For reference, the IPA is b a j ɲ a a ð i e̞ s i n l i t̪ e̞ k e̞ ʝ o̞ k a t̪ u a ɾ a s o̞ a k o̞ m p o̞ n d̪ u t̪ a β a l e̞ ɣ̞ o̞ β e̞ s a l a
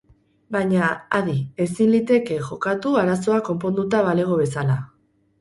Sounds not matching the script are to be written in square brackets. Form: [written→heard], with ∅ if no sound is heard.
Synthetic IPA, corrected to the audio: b a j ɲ a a ð i e̞ s i n l i t̪ e̞ k e̞ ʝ o̞ k a t̪ u a ɾ a s o̞ a k o̞ m p o̞ n d̪ u t̪ a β a l e̞ ɣ̞ o̞ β e̞ s a l a